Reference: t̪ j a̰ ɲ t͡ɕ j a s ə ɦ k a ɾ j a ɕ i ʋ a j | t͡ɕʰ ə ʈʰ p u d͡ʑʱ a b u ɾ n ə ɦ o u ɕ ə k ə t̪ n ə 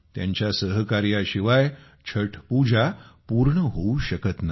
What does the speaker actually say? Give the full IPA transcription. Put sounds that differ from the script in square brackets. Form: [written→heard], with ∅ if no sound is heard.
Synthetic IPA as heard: t̪ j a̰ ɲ t͡ɕ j a s ə ɦ k a ɾ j a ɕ i ʋ a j | t͡ɕʰ ə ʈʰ p u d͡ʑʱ a [b→p] u ɾ [n→ɳ] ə ɦ o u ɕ ə k ə t̪ n [ə→a]